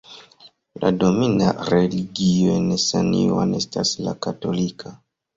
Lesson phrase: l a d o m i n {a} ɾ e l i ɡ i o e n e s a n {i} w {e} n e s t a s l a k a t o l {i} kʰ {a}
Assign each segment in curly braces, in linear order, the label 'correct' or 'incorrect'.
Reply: correct, correct, incorrect, correct, correct

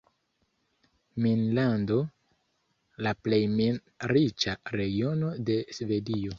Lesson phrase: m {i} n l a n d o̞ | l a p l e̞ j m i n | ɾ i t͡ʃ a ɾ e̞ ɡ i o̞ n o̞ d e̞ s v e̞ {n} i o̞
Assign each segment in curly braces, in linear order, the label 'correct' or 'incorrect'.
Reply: correct, incorrect

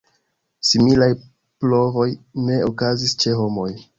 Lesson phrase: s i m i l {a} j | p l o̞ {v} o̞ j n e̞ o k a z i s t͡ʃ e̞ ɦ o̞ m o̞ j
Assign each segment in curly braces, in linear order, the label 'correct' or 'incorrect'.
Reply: correct, correct

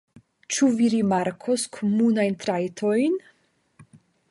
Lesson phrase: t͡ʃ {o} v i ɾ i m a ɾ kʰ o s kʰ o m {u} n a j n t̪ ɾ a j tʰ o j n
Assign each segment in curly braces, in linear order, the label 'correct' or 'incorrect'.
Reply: incorrect, correct

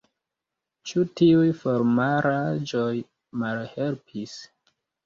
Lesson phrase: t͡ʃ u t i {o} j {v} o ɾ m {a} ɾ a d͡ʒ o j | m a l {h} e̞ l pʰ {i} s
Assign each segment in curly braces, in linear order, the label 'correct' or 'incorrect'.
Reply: incorrect, incorrect, correct, correct, correct

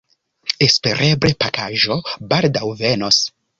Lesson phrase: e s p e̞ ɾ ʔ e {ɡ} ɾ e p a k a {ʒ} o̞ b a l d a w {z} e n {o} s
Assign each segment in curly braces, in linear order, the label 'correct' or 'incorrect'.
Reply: incorrect, correct, incorrect, correct

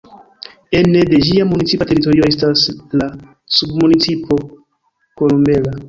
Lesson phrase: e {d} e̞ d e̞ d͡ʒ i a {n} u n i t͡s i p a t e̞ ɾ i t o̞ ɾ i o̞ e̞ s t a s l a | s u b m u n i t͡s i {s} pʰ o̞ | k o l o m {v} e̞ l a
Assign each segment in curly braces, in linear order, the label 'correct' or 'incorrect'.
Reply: incorrect, incorrect, incorrect, incorrect

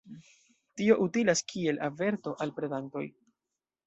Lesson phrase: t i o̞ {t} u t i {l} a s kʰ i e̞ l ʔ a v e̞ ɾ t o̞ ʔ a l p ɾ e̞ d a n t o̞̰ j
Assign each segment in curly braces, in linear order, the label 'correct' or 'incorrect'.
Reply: incorrect, correct

